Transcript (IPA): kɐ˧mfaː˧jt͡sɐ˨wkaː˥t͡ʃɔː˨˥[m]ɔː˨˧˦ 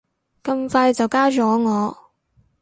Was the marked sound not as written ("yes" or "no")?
yes